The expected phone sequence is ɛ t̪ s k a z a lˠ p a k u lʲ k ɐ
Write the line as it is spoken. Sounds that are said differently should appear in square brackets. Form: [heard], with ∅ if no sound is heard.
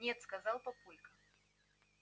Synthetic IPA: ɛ t̪ s k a z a lˠ p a [p] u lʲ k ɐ